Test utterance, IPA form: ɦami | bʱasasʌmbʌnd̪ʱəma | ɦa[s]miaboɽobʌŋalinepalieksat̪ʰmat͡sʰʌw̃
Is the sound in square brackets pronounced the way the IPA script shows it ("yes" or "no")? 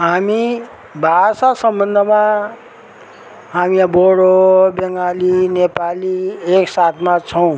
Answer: no